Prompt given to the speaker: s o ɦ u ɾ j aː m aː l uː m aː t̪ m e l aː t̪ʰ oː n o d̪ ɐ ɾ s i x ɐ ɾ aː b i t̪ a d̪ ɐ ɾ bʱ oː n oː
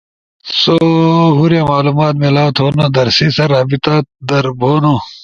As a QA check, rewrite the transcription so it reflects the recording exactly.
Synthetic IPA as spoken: s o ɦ u ɾ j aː m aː l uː m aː t̪ m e l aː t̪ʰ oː n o d̪ ɐ ɾ s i s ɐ ɾ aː b i t̪ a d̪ ɐ ɾ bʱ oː n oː